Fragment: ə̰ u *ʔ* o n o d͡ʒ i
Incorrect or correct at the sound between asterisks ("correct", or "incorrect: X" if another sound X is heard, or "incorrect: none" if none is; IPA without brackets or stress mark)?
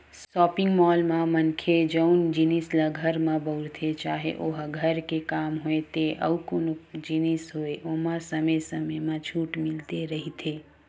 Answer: incorrect: k